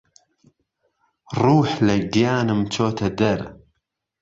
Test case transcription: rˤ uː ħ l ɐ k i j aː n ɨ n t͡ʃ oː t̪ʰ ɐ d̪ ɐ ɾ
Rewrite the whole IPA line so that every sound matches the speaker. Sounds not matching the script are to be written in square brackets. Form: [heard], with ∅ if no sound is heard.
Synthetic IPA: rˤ uː ħ l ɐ [ɡ] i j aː n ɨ [m] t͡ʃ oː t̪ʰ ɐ d̪ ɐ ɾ